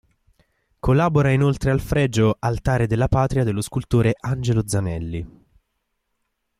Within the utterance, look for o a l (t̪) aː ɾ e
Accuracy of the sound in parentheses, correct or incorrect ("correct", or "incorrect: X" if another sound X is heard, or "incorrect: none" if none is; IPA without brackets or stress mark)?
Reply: correct